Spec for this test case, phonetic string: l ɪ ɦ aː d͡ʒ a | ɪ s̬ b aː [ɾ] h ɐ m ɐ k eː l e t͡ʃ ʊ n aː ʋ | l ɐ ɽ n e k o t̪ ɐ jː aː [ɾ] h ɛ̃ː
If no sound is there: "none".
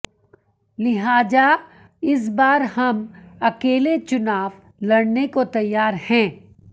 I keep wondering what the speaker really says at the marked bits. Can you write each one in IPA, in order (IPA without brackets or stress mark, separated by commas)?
ɾ, ɾ